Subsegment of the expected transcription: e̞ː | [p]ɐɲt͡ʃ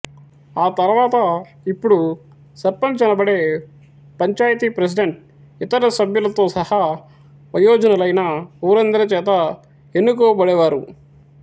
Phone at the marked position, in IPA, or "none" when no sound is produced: p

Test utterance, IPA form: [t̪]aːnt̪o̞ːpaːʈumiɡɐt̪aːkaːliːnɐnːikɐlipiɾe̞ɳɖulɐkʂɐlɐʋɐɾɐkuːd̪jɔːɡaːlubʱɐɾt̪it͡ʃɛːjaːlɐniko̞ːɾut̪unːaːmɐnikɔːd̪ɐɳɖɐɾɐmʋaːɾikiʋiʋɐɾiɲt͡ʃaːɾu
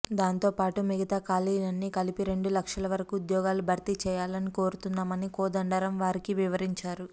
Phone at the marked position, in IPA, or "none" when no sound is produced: d̪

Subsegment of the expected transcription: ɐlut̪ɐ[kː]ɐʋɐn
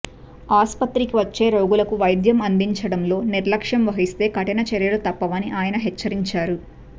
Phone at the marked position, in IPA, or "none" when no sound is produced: pː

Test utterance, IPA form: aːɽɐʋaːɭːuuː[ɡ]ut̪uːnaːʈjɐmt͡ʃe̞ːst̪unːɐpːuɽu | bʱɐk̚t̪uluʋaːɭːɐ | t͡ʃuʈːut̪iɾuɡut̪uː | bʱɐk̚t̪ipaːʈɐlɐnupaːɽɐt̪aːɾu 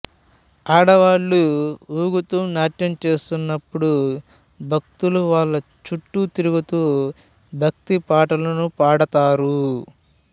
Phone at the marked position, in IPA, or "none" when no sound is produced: ɡ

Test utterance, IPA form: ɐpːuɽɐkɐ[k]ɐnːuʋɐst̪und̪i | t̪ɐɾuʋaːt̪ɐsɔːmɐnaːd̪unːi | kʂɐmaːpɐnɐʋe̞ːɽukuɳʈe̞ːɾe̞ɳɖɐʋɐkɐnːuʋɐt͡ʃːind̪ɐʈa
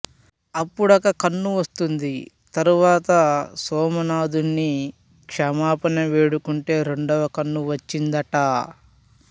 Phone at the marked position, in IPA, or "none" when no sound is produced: k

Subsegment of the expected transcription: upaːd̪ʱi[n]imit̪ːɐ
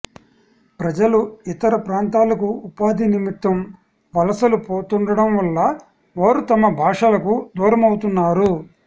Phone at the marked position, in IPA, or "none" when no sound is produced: n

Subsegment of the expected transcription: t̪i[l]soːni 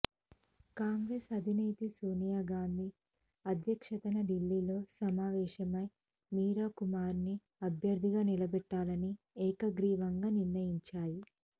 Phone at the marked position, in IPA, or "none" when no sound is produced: none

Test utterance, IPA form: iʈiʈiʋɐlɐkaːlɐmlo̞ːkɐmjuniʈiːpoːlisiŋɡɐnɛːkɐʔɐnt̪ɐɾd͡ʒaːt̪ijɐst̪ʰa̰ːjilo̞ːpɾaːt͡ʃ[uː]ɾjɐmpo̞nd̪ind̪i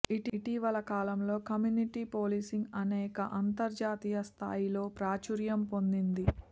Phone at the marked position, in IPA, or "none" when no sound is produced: u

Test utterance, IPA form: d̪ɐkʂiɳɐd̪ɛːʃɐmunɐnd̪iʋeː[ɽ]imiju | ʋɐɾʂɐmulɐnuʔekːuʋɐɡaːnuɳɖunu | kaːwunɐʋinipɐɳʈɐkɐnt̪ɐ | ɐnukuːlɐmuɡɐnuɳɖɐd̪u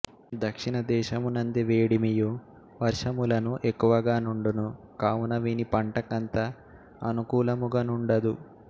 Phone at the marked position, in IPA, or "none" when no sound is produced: ɽ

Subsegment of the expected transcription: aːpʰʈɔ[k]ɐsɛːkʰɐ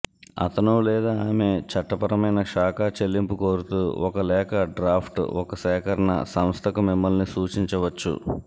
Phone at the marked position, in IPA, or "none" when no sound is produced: k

